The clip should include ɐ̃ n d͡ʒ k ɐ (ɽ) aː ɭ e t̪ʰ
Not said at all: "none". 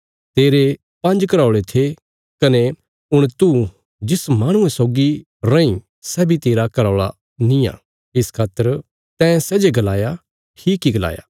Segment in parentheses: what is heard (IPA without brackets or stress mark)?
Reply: ɾ